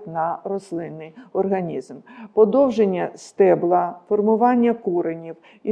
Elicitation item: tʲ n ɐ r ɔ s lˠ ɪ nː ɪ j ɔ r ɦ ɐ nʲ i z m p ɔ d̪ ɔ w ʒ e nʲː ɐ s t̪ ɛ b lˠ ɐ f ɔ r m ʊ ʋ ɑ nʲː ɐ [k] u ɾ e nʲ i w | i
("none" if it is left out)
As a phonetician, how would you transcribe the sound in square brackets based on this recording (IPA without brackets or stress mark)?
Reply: k